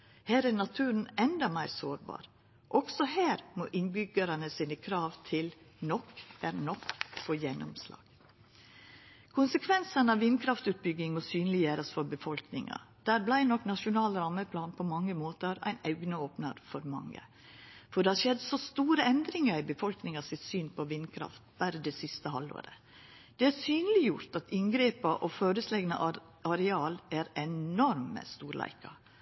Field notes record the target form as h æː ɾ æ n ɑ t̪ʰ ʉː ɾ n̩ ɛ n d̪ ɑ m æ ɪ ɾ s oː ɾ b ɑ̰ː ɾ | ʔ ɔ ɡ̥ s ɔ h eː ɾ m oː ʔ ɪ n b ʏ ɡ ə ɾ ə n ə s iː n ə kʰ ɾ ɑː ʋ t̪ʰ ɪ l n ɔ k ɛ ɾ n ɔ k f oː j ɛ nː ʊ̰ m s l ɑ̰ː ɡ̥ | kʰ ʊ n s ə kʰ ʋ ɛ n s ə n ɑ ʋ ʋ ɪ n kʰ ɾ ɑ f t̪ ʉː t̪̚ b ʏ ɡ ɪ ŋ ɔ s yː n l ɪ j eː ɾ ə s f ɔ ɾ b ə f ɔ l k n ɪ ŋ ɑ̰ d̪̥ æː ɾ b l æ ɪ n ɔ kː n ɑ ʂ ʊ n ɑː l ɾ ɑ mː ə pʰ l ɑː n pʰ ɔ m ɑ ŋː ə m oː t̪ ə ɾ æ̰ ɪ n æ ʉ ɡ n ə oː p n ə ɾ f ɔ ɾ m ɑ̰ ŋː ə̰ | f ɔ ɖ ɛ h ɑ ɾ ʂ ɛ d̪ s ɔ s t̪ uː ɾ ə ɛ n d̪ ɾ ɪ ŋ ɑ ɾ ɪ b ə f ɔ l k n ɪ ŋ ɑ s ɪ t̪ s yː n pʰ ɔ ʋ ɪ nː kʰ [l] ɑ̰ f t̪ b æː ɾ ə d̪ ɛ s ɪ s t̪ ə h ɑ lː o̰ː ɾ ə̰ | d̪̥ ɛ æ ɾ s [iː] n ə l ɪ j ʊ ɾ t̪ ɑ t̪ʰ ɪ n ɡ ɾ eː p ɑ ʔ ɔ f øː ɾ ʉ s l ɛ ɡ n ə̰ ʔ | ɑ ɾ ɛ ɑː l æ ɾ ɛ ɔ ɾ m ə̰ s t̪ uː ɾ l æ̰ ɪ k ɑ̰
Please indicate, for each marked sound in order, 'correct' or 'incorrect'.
incorrect: ɾ, incorrect: yː

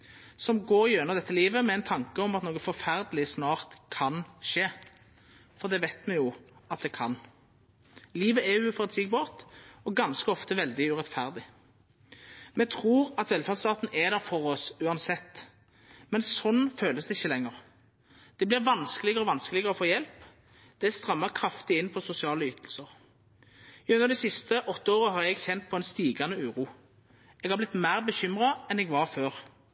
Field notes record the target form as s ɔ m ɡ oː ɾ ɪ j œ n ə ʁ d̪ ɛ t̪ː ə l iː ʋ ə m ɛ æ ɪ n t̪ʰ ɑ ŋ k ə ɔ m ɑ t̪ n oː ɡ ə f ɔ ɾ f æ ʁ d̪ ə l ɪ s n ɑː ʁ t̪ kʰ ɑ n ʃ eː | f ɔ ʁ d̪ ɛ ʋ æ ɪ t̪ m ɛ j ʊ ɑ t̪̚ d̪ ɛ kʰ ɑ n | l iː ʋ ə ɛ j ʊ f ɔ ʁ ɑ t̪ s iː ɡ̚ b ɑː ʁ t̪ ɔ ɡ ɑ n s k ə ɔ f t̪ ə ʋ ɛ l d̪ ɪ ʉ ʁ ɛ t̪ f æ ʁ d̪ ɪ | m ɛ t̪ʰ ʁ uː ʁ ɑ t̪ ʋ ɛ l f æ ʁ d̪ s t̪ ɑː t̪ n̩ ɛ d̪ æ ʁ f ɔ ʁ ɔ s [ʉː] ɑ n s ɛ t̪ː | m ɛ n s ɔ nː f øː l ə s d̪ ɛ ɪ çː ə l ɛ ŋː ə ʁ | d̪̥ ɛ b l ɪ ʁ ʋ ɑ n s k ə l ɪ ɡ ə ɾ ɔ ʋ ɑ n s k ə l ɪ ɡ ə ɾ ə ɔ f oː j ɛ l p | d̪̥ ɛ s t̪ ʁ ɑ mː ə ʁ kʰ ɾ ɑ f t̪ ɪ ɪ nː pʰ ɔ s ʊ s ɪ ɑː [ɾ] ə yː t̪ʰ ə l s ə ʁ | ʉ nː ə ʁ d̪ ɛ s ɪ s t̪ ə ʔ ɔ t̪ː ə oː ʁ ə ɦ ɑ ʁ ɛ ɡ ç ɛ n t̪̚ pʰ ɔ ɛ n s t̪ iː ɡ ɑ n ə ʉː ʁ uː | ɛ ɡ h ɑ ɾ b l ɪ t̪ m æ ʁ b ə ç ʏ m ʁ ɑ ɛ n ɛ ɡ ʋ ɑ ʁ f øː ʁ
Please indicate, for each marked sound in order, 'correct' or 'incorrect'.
correct, incorrect: l

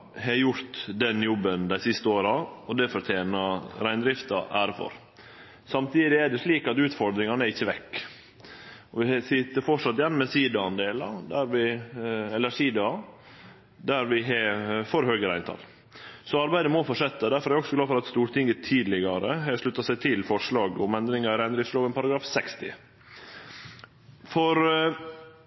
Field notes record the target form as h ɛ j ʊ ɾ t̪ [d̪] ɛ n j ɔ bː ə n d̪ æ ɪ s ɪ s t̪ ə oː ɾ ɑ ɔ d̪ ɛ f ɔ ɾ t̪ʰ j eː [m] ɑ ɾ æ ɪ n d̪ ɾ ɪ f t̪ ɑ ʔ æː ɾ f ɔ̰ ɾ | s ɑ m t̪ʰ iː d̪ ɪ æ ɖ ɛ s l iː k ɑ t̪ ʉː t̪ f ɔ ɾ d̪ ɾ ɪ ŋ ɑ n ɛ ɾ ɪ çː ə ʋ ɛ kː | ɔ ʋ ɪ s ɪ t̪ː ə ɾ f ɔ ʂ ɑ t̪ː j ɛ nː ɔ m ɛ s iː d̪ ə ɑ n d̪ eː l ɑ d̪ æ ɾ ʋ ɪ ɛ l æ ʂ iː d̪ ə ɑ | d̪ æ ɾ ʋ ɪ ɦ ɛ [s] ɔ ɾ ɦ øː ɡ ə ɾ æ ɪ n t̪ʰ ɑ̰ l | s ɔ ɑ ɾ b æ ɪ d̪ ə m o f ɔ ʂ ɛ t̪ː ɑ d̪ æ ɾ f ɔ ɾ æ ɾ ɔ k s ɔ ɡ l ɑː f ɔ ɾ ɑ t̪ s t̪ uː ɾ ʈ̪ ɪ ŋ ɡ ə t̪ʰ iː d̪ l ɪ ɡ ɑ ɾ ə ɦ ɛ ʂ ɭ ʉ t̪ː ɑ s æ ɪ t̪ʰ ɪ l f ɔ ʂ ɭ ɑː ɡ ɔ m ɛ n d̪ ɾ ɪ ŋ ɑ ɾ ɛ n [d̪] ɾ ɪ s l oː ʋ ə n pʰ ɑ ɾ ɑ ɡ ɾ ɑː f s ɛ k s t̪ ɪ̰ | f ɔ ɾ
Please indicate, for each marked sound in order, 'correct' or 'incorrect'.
correct, incorrect: n, incorrect: f, correct

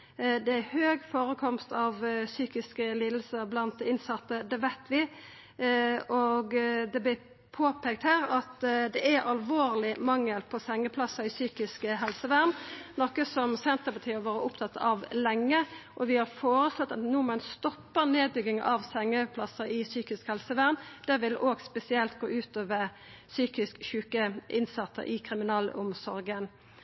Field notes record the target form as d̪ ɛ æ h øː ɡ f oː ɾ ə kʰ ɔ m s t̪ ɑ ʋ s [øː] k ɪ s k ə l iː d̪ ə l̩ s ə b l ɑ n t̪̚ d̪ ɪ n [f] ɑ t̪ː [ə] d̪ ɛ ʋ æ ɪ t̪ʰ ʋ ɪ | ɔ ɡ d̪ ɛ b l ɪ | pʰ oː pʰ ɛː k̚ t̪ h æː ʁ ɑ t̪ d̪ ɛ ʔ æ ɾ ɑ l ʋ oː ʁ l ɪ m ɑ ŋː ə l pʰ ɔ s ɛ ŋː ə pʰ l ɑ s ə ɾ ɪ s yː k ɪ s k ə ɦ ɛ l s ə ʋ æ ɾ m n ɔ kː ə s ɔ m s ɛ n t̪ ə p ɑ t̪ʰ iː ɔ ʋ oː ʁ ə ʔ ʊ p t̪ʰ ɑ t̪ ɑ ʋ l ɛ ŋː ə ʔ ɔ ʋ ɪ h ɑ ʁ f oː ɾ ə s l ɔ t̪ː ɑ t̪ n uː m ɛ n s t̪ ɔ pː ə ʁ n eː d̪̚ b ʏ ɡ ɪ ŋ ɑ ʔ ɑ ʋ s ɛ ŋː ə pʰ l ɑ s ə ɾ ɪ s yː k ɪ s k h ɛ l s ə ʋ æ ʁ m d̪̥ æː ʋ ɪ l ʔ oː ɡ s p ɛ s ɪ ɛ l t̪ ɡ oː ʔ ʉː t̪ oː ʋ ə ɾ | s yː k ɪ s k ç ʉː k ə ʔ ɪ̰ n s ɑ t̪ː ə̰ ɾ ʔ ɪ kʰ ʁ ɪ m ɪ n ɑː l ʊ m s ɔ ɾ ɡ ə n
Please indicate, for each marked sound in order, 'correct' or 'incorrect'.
incorrect: yː, incorrect: s, correct

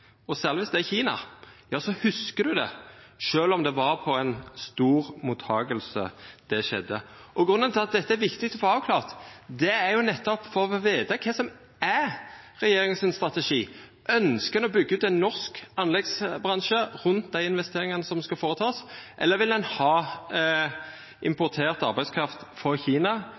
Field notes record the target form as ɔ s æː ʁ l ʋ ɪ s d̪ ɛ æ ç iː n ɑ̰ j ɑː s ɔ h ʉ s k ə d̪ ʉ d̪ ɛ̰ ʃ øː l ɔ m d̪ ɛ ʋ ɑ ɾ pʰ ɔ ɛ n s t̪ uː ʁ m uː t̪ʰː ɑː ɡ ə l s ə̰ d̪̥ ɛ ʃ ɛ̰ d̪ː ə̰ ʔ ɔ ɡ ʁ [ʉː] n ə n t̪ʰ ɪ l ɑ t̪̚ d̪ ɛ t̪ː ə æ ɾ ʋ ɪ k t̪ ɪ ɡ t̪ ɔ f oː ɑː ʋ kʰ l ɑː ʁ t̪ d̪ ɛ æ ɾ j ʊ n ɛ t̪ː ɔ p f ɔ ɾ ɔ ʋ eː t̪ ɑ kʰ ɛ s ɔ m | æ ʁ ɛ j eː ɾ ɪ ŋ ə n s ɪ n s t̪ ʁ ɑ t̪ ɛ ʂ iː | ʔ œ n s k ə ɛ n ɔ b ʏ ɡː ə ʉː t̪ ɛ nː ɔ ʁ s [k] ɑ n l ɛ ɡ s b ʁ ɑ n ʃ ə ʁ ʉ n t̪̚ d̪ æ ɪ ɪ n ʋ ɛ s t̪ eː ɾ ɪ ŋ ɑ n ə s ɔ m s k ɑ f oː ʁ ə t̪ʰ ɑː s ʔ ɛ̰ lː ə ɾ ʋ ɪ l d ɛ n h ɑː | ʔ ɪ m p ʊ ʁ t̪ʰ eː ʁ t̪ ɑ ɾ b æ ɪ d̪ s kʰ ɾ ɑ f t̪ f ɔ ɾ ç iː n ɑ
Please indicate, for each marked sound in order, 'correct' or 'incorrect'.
incorrect: ʉ, correct

